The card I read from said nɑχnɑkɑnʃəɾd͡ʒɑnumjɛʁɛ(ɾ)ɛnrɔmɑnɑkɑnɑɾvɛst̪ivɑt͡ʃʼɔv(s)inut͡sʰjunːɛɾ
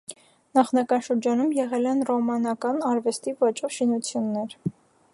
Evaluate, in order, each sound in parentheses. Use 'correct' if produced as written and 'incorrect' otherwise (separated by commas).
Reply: incorrect, incorrect